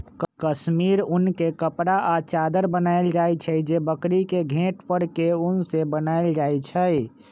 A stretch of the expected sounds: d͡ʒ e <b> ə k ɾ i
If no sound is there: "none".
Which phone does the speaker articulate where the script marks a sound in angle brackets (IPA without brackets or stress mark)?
b